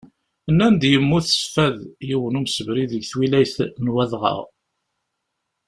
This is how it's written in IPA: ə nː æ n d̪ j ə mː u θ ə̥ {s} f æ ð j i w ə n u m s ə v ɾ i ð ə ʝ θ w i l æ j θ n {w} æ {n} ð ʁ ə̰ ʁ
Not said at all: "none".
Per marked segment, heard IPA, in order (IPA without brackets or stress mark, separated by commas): s, w, none